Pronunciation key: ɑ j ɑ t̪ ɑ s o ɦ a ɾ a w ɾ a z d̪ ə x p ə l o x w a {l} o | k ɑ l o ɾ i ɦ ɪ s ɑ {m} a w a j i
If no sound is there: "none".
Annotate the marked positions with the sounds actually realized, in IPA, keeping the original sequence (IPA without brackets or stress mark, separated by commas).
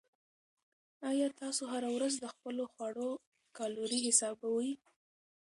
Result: ɽ, b